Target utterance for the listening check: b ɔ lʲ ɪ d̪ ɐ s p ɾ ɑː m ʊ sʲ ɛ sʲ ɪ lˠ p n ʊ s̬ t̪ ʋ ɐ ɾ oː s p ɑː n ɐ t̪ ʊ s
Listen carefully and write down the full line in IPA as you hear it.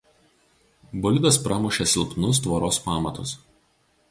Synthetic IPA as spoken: b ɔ lʲ ɪ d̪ ɐ s p ɾ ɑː m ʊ ʃʲ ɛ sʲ ɪ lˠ p n ʊ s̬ t̪ ʋ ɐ ɾ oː s p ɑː m ɐ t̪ ʊ s